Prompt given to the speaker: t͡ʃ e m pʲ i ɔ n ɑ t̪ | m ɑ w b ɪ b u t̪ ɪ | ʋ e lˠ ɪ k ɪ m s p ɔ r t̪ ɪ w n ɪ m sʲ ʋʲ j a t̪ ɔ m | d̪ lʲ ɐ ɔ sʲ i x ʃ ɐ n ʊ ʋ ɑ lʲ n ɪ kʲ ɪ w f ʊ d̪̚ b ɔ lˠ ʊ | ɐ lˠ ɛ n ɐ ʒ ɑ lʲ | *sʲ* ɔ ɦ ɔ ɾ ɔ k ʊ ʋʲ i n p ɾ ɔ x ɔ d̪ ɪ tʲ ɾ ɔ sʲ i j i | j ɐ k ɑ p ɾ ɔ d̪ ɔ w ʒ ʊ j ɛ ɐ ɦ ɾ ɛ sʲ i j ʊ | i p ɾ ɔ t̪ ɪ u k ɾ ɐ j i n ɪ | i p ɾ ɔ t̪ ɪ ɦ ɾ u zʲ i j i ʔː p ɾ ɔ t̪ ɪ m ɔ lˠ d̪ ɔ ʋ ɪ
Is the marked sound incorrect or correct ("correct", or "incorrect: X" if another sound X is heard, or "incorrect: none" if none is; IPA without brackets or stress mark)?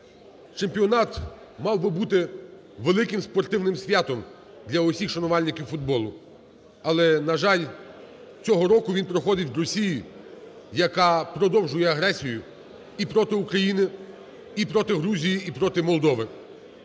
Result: incorrect: t͡sʲ